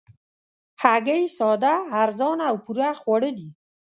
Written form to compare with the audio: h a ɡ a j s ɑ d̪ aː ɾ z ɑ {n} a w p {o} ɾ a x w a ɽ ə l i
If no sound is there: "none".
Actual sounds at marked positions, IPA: n, u

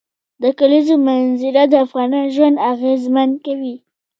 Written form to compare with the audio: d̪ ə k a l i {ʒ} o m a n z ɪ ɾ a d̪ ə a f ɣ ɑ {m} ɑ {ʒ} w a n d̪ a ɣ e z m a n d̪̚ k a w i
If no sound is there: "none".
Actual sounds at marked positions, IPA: z, n, ʒ

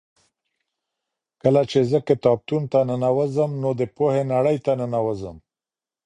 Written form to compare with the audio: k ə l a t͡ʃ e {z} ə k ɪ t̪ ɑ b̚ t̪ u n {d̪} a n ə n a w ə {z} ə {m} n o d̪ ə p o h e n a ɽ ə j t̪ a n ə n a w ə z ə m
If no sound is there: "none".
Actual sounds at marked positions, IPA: z, t̪, z, m

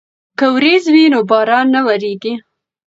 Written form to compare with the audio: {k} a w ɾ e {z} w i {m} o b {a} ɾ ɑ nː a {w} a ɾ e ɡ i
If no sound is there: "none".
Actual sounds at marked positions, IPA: k, z, n, ɑ, w

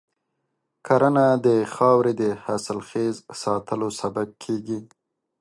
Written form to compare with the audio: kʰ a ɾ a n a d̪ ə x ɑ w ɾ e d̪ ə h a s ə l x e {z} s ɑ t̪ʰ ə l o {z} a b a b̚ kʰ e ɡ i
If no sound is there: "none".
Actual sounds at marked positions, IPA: z, s

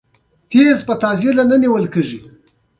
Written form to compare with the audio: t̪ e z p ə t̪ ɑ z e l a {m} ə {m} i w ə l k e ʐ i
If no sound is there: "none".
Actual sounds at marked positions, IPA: n, n

